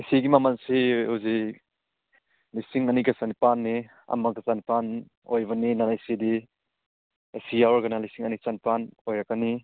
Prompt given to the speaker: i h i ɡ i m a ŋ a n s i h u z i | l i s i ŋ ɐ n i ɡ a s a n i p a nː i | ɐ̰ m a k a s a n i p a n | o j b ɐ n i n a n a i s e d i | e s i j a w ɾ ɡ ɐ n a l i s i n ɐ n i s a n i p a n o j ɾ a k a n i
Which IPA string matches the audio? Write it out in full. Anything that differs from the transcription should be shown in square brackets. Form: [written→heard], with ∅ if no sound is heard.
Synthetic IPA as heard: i [h→s] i ɡ i m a [ŋ→m] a n s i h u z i | l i s i ŋ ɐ n i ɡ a s a n i p a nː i | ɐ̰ m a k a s a n i p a n | o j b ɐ n i n a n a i s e d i | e s i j a w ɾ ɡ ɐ n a l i s i [n→ŋ] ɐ n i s a n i p a n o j ɾ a k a n i